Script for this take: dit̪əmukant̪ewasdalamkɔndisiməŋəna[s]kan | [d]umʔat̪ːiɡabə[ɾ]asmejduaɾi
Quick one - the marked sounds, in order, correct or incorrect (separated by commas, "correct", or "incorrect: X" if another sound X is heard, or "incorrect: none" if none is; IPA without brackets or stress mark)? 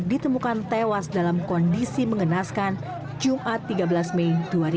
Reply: correct, incorrect: d͡ʒ, incorrect: l